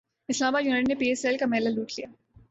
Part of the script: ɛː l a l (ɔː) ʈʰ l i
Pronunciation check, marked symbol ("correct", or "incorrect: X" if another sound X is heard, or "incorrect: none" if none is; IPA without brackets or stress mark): incorrect: uː